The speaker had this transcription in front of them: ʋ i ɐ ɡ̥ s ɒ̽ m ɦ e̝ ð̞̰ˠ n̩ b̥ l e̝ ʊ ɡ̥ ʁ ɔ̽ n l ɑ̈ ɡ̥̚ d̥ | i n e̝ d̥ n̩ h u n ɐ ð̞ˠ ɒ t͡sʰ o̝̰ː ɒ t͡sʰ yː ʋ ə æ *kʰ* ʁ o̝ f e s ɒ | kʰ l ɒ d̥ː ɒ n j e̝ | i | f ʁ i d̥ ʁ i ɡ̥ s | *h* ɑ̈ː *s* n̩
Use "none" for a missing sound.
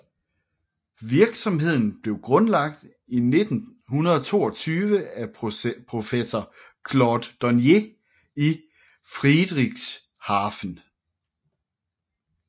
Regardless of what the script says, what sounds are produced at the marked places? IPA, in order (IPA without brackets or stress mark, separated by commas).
pʰ, h, f